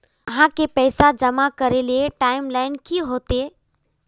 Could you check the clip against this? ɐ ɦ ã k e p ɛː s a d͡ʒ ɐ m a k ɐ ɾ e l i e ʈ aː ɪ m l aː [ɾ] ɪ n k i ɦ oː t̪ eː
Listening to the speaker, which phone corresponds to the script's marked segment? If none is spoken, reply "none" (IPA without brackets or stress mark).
none